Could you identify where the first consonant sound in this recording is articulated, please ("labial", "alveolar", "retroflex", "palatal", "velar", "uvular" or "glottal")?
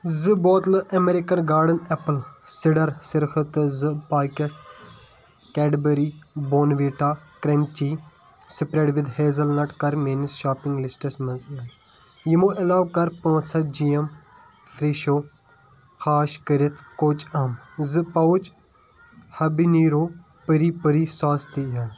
alveolar